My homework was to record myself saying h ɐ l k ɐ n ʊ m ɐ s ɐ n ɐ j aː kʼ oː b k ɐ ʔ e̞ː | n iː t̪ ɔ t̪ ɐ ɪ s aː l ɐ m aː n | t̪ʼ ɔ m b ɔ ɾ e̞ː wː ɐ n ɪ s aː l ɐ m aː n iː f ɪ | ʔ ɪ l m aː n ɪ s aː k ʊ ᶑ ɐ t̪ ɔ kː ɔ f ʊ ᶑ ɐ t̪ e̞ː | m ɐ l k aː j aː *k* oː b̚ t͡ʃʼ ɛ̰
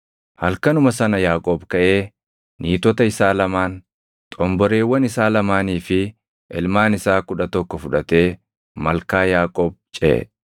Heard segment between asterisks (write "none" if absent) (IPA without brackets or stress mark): kʼ